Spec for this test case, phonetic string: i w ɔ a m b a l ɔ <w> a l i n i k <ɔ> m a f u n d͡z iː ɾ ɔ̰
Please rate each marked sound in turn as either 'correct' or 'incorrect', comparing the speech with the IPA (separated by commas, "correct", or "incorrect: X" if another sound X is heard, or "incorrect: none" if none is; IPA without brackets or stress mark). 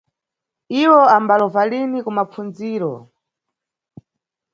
incorrect: v, incorrect: u